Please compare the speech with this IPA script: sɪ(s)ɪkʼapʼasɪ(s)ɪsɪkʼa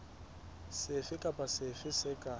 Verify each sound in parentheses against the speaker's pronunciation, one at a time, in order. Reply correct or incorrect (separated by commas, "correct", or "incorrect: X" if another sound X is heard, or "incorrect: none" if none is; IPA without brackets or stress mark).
incorrect: f, incorrect: f